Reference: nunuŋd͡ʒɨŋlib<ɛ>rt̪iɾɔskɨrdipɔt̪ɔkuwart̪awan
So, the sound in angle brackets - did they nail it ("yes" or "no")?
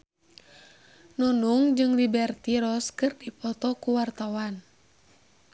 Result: yes